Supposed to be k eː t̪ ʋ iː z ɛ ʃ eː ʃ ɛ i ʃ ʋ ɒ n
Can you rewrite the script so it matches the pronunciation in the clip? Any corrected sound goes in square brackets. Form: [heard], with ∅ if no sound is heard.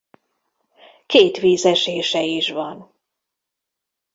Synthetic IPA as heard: k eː t̪ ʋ iː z ɛ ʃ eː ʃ ɛ i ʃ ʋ ɒ n